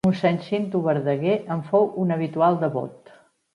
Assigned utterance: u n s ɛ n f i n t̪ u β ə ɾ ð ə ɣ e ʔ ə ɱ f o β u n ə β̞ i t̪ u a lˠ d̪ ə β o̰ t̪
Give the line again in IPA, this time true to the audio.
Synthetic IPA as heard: u n s ɛ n s i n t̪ u β ə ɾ ð ə ɣ e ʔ ə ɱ f o w u n ə β̞ i t̪ u a lˠ d̪ ə β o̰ t̪

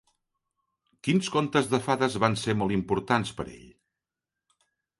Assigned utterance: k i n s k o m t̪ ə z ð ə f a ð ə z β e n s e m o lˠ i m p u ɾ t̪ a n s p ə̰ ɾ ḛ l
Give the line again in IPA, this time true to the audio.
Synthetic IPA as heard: k i n s k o n t̪ ə z ð ə f a ð ə z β a n s e m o lˠ i m p u ɾ t̪ a n s p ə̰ ɾ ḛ ʎ

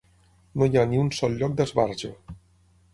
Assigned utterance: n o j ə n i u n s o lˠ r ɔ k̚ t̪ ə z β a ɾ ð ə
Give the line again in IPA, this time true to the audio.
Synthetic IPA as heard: n o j a n i u n s ɔ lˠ ʎ ɔ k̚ d̪ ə z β a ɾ ʒ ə

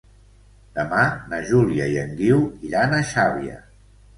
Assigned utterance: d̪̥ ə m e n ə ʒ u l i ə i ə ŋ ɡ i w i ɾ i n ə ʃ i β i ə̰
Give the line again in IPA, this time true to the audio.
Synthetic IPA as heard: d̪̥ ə m a n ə ʒ u l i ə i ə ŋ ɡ i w i ɾ a n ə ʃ a β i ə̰

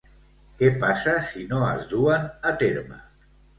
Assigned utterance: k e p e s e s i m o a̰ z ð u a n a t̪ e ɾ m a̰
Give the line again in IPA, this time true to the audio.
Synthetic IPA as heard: k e p a s a s i n o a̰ z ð u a n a t̪ e ɾ m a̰

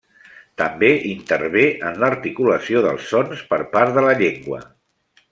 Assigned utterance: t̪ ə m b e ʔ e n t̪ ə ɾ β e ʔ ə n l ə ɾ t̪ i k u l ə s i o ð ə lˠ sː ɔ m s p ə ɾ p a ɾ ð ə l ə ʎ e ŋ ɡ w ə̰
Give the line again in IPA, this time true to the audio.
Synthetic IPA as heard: t̪ ə m b e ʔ i n t̪ ə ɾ β e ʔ ə n l ə ɾ t̪ i k u l ə s i o ð ə lˠ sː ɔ n s p ə ɾ p a ɾ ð ə l ə ʎ e ŋ ɡ w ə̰

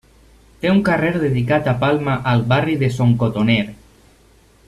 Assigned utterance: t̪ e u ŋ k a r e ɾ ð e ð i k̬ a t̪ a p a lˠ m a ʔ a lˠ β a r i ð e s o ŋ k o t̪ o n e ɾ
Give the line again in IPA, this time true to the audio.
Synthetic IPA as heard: t̪ e u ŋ k a r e ɾ ð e ð i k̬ a t̪ a p a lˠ m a ʔ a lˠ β a r i ð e s o ŋ k o t̪ o n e ɾ

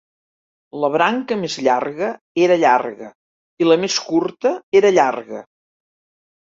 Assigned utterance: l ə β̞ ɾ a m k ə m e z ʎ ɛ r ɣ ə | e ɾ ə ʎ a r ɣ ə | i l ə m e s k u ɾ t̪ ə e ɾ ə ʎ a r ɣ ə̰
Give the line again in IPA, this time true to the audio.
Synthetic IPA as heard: l ə β̞ ɾ a ŋ k ə m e z ʎ a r ɣ ə | e ɾ ə ʎ a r ɣ ə | i l ə m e s k u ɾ t̪ ə e ɾ ə ʎ a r ɣ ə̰

